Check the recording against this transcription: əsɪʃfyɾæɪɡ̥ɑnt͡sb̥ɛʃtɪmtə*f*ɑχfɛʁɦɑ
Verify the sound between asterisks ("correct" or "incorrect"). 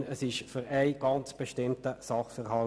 incorrect